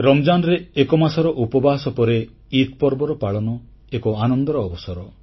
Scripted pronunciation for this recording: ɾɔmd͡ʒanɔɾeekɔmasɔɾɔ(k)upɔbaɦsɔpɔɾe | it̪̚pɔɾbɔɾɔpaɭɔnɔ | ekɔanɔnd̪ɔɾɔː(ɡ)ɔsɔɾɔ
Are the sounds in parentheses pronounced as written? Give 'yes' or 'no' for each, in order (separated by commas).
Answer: no, no